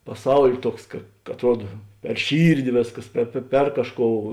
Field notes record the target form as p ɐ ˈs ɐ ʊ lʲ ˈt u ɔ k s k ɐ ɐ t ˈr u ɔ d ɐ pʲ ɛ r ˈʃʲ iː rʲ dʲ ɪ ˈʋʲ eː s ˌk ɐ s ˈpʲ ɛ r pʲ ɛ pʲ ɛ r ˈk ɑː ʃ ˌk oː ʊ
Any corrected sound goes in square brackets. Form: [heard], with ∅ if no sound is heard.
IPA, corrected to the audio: p ɐ ˈs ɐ ʊ lʲ ˈt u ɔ k s k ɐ ɐ t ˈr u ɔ d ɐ pʲ ɛ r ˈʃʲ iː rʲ dʲ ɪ ˈʋʲ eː s ˌk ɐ s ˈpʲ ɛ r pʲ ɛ pʲ ɛ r ˈk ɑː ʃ ˌk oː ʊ